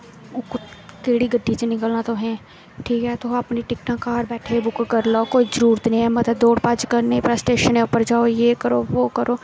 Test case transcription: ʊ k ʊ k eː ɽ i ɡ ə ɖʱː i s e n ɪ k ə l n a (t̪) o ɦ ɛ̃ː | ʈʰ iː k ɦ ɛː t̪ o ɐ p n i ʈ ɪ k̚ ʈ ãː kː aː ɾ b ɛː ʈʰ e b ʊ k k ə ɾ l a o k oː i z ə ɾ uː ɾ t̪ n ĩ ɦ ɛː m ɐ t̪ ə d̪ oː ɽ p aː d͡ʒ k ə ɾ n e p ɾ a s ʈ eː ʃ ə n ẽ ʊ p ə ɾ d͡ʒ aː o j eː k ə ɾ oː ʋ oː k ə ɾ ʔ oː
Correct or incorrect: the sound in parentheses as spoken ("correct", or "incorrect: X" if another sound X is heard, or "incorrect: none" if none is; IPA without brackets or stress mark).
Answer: correct